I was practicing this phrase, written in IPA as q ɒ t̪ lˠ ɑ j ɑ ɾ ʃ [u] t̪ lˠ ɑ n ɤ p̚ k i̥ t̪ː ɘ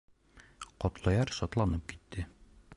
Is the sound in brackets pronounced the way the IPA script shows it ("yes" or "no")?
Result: no